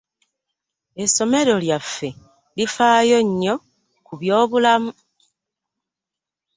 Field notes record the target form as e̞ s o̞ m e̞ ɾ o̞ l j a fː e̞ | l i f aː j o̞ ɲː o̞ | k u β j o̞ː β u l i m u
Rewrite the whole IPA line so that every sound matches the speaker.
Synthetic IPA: e̞ s o̞ m e̞ ɾ o̞ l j a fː e̞ | l i f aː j o̞ ɲː o̞ | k u β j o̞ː β u l a m u